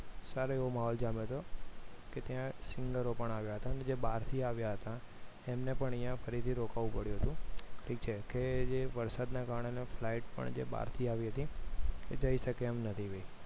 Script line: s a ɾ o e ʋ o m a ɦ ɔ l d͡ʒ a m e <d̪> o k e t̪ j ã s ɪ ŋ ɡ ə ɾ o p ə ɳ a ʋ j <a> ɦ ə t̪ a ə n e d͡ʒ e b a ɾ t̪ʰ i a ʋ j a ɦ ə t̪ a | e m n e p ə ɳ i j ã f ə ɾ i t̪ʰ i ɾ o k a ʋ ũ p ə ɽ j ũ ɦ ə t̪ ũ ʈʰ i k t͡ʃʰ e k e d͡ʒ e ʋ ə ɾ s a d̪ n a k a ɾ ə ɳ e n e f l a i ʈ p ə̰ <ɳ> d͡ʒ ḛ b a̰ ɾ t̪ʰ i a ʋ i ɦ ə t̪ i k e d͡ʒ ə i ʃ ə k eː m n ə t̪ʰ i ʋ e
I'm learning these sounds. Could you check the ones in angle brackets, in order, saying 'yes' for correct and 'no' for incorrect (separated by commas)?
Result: no, yes, yes